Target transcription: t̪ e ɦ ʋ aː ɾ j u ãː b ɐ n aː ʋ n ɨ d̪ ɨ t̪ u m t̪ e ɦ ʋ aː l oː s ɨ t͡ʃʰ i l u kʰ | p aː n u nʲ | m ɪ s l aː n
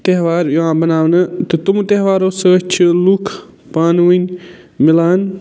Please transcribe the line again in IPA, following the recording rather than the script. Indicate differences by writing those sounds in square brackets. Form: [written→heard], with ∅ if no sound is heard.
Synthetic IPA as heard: t̪ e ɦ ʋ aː ɾ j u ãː b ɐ n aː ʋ n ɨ [d̪→t̪] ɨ t̪ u m t̪ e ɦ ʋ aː [l→ɾ] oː s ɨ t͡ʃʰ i l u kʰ | p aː n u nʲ | m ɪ [s→∅] l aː n